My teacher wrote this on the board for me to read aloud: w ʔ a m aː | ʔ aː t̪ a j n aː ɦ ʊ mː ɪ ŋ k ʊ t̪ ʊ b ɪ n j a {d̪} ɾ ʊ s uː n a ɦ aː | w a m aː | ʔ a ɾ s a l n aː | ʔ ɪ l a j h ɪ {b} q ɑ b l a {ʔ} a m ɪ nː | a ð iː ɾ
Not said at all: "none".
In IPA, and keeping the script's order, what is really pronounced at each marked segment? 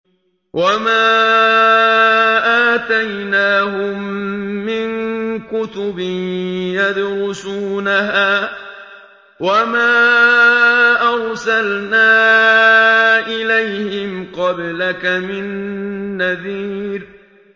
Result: d̪, m, k

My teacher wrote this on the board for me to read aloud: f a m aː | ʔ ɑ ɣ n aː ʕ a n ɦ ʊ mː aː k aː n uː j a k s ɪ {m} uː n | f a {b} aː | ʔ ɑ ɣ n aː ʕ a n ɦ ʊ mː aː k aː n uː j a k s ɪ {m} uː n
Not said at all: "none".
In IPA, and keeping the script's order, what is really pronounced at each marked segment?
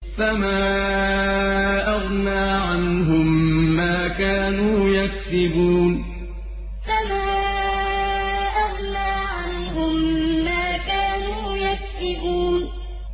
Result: b, m, b

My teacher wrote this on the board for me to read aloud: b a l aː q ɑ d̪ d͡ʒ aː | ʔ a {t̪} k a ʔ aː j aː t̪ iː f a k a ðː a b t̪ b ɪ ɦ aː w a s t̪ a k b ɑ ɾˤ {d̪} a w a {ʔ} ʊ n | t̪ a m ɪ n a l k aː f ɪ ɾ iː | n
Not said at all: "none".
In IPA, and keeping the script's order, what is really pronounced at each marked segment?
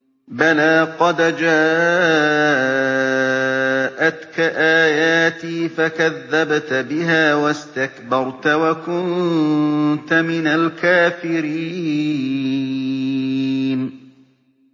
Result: t̪, t̪, k

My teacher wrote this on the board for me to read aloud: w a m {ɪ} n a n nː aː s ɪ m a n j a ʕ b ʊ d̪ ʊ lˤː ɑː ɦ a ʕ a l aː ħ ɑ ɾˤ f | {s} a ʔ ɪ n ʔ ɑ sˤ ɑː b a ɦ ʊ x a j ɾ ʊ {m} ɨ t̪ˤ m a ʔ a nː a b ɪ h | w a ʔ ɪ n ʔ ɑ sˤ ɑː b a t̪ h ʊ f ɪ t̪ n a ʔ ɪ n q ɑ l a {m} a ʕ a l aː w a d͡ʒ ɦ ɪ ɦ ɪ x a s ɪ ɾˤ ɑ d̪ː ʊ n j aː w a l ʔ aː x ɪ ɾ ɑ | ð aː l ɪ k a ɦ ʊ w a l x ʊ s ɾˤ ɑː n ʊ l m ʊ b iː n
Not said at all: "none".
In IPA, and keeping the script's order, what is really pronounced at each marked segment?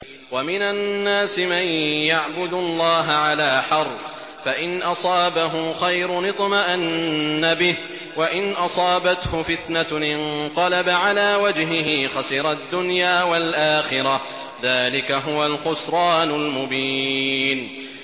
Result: ɪ, f, n, b

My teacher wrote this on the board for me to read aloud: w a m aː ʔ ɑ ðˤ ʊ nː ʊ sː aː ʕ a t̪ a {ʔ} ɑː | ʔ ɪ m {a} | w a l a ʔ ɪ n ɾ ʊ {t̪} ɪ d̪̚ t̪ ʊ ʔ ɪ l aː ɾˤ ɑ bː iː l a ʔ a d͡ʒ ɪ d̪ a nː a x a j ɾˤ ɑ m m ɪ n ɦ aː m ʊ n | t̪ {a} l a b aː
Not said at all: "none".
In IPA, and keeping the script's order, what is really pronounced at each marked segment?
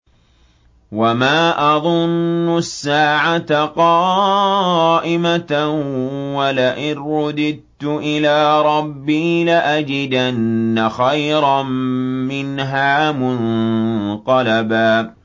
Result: q, a, d̪, ɑ

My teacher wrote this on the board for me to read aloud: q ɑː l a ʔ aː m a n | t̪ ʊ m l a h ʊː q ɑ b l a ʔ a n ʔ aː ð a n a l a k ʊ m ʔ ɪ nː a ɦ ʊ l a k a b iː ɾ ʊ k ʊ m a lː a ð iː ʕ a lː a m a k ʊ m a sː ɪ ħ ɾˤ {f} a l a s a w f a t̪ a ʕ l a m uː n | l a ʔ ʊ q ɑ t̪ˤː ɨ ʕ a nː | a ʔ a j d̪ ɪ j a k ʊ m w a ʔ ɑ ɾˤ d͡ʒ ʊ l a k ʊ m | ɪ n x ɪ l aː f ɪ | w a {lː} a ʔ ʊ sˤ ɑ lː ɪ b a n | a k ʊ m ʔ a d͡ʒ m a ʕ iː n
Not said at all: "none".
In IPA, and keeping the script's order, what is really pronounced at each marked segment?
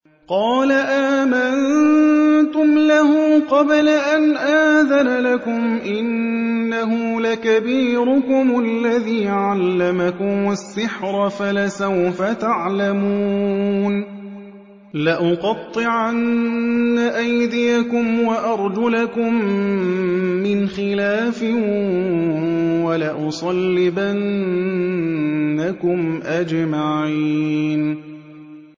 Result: f, l

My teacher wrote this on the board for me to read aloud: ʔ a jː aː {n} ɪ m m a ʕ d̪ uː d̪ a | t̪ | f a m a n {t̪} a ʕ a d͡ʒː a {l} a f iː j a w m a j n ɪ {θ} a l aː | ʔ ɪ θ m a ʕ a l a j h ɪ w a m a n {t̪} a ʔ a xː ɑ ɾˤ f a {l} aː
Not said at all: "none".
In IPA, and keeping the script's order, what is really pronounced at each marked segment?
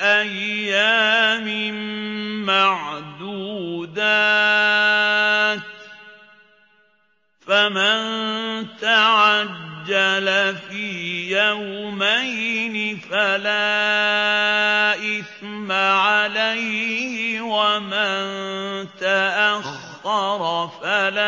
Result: m, t̪, l, f, t̪, l

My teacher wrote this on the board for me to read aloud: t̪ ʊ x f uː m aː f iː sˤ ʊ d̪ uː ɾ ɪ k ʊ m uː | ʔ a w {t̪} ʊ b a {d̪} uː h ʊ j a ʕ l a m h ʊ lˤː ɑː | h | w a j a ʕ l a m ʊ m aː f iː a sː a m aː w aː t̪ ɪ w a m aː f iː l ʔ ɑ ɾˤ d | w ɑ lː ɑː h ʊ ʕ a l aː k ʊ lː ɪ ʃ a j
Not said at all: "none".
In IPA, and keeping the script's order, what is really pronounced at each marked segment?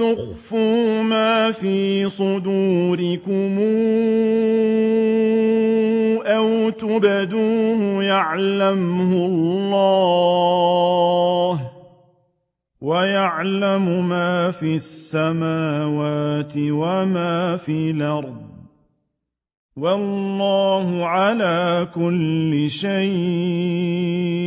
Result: t̪, d̪

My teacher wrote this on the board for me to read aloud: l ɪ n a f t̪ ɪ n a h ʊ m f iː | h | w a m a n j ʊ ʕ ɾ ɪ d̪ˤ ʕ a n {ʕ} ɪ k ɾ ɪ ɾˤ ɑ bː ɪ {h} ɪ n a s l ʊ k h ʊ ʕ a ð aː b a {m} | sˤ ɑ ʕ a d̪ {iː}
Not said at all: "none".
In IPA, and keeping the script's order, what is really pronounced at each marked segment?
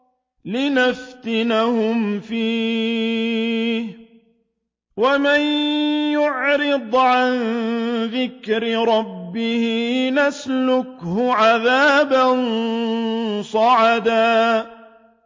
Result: ð, h, n, aː

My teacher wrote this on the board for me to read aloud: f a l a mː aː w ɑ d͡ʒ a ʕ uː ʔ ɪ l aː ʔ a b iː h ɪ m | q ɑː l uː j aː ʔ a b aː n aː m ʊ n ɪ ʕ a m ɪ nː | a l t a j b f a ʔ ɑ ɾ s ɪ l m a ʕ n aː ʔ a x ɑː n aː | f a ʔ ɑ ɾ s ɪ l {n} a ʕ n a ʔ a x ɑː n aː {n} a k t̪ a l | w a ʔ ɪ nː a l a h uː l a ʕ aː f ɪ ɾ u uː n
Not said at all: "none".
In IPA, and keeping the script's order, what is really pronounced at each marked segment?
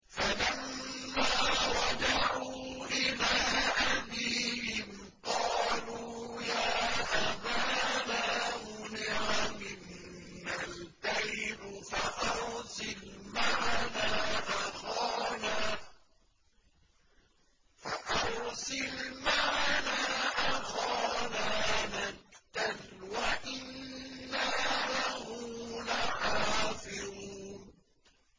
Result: m, n

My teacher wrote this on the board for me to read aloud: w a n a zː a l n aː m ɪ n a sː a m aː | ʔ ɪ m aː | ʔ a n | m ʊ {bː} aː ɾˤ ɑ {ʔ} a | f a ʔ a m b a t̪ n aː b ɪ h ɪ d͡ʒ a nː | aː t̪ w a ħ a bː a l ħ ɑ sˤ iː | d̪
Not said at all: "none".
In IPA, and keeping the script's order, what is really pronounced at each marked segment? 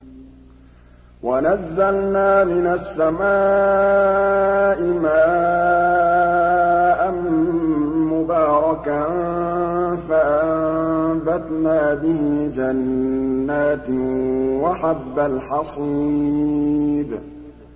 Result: b, k

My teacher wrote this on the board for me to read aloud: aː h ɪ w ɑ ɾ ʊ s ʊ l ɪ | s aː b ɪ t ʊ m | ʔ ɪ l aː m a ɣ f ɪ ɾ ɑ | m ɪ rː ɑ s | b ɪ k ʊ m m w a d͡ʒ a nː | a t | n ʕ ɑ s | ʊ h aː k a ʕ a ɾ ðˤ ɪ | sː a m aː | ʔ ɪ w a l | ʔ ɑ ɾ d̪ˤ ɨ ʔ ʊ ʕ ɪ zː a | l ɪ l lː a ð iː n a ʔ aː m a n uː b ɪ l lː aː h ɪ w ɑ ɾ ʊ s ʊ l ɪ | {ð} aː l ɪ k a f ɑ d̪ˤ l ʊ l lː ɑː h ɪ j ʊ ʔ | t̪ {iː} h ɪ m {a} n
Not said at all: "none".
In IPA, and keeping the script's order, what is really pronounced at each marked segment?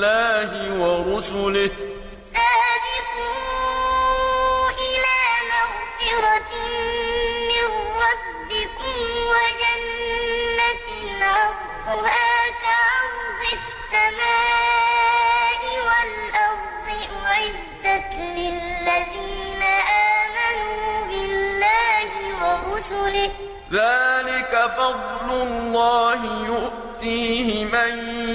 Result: ð, iː, a

